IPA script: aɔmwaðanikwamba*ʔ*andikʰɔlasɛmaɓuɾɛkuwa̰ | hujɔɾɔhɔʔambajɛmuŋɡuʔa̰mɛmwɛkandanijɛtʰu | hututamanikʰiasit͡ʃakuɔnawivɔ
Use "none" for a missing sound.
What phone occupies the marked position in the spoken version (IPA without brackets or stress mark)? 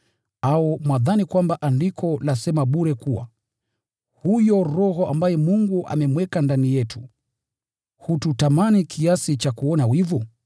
ʔ